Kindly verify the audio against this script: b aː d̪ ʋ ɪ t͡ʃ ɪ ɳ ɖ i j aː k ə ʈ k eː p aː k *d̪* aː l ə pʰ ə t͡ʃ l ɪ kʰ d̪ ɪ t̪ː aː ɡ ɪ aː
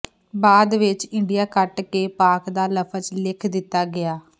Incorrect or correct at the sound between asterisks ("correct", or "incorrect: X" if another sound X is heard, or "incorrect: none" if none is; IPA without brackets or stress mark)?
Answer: correct